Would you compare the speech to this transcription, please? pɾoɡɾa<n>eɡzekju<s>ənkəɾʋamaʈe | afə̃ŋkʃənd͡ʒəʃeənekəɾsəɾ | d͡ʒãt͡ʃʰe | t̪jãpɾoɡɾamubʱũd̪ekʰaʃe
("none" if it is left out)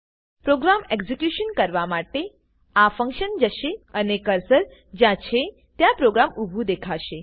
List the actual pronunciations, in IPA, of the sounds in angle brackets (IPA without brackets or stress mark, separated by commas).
m, ʃ